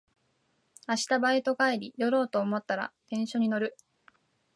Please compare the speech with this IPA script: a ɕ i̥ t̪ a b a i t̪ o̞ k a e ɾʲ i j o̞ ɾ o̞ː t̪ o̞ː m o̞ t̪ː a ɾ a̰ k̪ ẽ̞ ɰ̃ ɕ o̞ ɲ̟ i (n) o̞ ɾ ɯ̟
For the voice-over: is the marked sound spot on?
yes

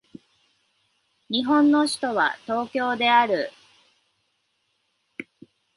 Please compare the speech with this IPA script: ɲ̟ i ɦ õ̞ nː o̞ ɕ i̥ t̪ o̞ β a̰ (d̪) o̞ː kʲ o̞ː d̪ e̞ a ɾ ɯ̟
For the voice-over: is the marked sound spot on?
no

